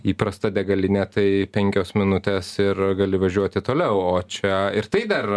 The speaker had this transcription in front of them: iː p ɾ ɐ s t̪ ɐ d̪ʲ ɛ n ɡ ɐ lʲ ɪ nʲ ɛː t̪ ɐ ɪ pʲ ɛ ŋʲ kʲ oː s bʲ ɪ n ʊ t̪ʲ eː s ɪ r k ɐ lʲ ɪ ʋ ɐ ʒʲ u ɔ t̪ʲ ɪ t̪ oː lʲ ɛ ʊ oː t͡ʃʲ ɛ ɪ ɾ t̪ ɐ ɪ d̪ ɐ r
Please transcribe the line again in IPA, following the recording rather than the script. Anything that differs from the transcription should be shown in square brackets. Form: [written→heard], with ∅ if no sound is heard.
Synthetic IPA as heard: iː p ɾ ɐ s t̪ ɐ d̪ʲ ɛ [n→∅] ɡ ɐ lʲ ɪ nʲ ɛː t̪ ɐ ɪ pʲ ɛ ŋʲ kʲ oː s [bʲ→mʲ] ɪ n ʊ t̪ʲ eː s ɪ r [k→ɡ] ɐ lʲ ɪ ʋ ɐ ʒʲ u ɔ t̪ʲ ɪ t̪ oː lʲ ɛ ʊ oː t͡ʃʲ ɛ ɪ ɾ t̪ ɐ ɪ d̪ ɐ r